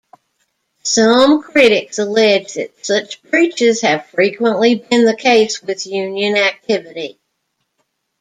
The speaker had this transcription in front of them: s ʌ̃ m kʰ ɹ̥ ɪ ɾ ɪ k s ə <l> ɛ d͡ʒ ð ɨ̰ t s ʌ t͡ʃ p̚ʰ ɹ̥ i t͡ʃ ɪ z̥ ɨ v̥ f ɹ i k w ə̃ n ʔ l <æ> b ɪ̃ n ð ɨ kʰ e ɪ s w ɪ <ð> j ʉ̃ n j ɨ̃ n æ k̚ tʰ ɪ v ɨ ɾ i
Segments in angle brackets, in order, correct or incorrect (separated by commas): correct, incorrect, correct